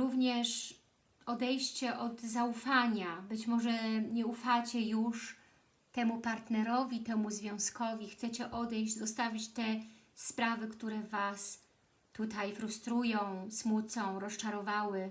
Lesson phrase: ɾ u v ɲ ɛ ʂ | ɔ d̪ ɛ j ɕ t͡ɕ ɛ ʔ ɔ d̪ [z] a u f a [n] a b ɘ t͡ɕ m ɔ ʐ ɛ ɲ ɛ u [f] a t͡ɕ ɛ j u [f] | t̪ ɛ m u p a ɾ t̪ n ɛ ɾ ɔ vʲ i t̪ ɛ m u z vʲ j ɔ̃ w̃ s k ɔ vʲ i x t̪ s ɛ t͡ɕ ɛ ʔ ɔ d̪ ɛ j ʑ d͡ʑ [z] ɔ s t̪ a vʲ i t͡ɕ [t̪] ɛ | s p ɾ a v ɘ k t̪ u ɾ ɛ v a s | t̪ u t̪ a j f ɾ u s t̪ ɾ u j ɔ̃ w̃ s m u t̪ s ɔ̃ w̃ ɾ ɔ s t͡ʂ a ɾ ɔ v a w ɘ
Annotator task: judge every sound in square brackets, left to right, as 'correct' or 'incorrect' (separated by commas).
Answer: correct, incorrect, correct, incorrect, correct, correct